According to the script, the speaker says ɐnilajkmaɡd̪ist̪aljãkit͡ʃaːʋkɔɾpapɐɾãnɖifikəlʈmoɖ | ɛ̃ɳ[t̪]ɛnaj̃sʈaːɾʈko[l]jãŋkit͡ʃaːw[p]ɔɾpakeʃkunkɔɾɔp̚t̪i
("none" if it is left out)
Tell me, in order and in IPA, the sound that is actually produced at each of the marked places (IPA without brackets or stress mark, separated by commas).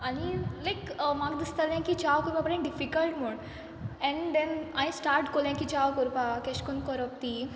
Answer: d̪, l, k